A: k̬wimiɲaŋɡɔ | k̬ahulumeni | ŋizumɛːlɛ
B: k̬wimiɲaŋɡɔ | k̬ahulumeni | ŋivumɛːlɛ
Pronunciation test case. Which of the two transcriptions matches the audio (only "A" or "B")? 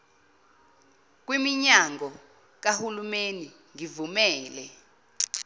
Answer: B